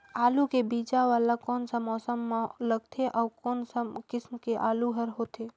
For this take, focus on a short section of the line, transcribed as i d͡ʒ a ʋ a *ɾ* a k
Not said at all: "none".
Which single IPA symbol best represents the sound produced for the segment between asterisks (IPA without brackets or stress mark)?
l